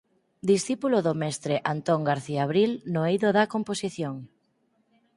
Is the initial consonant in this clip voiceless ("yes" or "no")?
no